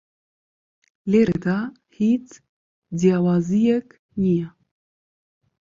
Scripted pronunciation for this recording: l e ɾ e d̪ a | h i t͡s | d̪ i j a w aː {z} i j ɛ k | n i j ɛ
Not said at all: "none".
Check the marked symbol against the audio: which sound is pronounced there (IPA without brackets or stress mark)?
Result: z